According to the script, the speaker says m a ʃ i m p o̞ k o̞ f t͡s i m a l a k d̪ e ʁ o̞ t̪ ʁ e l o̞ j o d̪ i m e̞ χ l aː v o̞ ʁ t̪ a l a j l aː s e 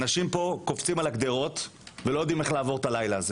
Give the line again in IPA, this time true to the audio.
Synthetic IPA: n a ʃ i m p o̞ k o̞ f t͡s i m a l a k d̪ e ʁ o̞ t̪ v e l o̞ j o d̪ i m e̞ χ l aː v o̞ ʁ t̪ a l a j l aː z e